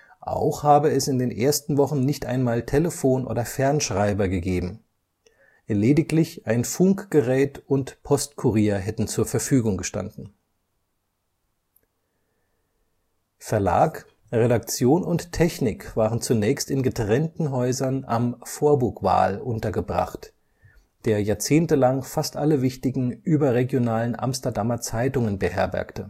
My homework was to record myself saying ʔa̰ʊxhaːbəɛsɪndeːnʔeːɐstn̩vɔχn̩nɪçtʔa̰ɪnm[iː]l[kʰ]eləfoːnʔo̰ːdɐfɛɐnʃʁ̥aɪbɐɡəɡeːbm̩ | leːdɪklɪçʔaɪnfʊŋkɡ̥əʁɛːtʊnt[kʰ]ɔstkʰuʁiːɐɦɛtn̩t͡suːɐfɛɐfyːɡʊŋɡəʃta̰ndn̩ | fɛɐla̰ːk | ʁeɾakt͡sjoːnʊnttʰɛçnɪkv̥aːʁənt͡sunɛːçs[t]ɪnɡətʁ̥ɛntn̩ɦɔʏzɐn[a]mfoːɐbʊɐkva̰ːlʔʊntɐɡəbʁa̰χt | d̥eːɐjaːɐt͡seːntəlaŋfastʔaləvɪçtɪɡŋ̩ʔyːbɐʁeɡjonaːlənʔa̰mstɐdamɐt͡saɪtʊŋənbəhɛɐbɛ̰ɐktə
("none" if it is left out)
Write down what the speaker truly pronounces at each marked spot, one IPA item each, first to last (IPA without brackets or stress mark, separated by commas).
aː, tʰ, pʰ, t, a